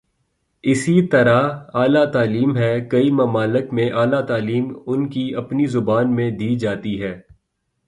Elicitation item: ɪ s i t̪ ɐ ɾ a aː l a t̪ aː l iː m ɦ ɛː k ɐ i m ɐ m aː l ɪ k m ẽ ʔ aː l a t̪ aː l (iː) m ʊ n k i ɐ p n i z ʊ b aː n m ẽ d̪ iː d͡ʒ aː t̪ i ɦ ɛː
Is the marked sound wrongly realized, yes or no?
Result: no